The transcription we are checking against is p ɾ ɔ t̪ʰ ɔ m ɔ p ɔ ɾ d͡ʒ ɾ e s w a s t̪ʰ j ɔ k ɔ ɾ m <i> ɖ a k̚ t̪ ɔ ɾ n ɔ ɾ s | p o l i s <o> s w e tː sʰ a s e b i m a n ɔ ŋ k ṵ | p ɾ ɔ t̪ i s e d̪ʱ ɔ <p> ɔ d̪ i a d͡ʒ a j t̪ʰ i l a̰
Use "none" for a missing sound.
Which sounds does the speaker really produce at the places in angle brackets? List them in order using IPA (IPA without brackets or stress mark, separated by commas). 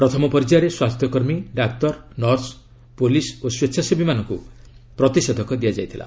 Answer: i, o, k